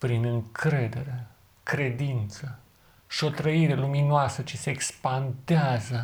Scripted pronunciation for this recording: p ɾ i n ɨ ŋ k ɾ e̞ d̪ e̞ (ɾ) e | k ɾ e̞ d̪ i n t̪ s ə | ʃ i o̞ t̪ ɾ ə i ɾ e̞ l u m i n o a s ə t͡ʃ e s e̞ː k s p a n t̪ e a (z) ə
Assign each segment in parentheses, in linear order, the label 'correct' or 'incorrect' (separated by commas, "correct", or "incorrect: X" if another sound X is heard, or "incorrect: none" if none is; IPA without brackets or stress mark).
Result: correct, correct